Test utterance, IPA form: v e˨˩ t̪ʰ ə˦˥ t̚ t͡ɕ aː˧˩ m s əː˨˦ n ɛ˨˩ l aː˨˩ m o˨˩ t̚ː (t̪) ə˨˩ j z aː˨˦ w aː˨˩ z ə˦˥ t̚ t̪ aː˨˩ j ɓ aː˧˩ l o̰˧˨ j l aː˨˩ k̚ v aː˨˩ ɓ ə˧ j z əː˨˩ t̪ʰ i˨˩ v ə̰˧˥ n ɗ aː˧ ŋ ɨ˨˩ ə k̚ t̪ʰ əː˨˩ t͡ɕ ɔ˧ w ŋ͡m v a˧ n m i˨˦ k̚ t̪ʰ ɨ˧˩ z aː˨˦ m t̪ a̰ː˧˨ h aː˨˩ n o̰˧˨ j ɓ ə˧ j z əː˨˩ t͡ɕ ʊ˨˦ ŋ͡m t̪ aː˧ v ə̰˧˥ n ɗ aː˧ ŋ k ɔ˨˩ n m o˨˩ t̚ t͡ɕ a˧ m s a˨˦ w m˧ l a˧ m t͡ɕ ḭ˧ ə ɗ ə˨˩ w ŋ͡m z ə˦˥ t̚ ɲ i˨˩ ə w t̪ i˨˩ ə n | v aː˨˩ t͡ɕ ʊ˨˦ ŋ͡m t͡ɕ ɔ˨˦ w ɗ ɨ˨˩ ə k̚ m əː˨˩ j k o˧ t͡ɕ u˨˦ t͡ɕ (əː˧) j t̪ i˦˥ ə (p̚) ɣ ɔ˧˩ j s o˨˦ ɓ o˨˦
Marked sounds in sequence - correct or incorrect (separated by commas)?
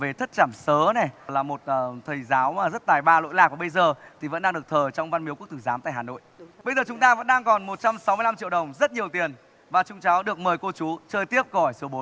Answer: incorrect, correct, correct